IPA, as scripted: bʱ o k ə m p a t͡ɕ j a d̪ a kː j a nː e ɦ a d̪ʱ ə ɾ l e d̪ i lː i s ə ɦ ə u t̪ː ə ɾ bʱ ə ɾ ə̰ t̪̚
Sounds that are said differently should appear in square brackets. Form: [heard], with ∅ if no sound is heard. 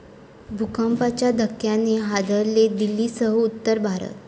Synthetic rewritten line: bʱ [u] k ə m p a t͡ɕ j a d̪ [ə] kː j a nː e ɦ a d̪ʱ ə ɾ l e d̪ i lː i s ə ɦ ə u t̪ː ə ɾ bʱ [a] ɾ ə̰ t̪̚